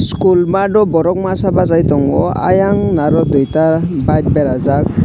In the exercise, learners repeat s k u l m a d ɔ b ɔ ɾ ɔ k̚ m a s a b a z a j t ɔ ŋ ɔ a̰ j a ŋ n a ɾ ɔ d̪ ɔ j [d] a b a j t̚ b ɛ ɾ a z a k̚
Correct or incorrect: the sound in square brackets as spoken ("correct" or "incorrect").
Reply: incorrect